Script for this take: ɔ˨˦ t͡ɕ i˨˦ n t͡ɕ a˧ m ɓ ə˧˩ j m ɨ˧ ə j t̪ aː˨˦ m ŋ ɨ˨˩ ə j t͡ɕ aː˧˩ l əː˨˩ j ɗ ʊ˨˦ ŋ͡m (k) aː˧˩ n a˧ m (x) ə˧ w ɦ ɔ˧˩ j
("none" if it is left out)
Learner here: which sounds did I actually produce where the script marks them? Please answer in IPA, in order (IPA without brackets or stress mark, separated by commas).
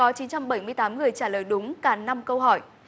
k, k